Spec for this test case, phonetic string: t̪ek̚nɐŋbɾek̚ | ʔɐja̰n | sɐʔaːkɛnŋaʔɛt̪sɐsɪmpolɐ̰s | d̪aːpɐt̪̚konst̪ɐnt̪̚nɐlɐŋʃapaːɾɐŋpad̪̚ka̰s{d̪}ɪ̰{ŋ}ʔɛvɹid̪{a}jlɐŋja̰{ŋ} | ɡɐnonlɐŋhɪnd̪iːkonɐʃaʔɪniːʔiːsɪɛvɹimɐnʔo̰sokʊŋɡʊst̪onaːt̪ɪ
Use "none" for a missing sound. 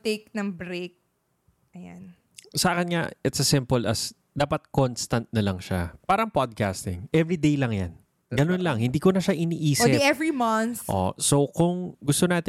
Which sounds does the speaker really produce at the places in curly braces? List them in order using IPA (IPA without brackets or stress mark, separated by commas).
t̪, ŋ, e, n